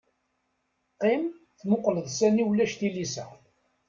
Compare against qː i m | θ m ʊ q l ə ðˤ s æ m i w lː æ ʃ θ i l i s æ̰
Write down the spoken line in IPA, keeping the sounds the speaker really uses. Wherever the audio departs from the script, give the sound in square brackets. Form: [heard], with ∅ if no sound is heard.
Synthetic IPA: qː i m | θ m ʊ q l ə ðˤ s æ [n] i w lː æ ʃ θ i l i s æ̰